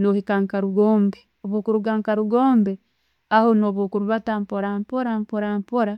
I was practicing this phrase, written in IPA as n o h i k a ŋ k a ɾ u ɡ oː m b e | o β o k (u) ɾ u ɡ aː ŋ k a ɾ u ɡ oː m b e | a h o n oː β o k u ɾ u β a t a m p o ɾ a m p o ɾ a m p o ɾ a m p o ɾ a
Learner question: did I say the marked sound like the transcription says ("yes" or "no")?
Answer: yes